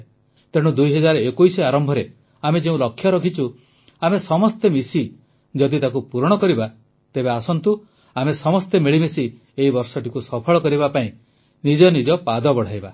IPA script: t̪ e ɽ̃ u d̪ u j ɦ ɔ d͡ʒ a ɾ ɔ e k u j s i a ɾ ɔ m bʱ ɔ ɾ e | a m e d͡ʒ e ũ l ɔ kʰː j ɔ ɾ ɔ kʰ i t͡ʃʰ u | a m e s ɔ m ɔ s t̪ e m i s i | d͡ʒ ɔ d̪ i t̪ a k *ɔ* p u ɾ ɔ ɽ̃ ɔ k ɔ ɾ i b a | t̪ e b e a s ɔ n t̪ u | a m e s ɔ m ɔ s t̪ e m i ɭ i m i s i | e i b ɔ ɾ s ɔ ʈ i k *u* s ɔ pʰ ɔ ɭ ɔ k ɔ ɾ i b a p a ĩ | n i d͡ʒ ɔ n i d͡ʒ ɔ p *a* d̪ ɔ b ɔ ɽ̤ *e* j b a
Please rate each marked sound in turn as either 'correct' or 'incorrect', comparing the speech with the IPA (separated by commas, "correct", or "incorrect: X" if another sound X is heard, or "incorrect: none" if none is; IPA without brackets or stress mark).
incorrect: u, correct, correct, incorrect: a